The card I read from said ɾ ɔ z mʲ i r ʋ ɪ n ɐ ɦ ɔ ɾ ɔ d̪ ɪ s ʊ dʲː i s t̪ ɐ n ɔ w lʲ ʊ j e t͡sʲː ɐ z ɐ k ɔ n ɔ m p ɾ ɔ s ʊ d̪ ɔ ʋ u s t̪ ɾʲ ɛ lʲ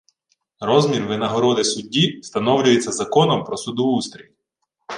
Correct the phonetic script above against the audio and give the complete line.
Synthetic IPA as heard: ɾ ɔ z mʲ i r ʋ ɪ n ɐ ɦ ɔ ɾ ɔ d̪ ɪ s ʊ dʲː i s t̪ ɐ n ɔ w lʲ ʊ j e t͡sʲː ɐ z ɐ k ɔ n ɔ m p ɾ ɔ s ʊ d̪ ɔ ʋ u s t̪ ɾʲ i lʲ